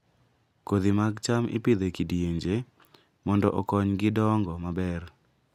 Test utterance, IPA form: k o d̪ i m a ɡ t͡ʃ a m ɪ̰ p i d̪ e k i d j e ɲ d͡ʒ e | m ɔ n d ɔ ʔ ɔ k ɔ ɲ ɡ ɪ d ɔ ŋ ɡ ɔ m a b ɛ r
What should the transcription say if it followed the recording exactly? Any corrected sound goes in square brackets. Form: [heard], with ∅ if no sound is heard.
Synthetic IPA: k o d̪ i m a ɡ t͡ʃ a m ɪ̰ p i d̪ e k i d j e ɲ d͡ʒ e | m ɔ n d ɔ ʔ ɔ k ɔ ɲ ɡ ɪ d ɔ ŋ ɡ ɔ m a b ɛ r